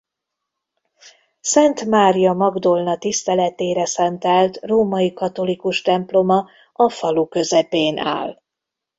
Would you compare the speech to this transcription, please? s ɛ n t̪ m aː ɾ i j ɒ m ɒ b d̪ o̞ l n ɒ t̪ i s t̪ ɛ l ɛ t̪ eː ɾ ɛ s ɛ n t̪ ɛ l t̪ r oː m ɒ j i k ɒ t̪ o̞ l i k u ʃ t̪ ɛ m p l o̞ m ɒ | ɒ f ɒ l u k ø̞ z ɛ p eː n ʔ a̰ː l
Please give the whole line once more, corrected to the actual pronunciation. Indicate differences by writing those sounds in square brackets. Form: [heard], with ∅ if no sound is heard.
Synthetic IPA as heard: s ɛ n t̪ m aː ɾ i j ɒ m ɒ [ɡ] d̪ o̞ l n ɒ t̪ i s t̪ ɛ l ɛ t̪ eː ɾ ɛ s ɛ n t̪ ɛ l t̪ r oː m ɒ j i k ɒ t̪ o̞ l i k u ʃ t̪ ɛ m p l o̞ m ɒ | ɒ f ɒ l u k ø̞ z ɛ p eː n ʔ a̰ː l